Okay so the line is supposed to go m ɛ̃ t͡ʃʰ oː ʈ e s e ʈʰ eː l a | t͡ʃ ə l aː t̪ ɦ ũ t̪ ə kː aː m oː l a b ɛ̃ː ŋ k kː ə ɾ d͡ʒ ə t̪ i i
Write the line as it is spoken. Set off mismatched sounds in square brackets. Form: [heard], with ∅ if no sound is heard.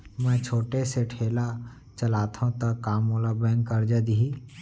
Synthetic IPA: m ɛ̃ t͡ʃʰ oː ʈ e s e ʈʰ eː l a | t͡ʃ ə l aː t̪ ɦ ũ t̪ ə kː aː m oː l a b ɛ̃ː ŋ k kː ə ɾ d͡ʒ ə [d̪] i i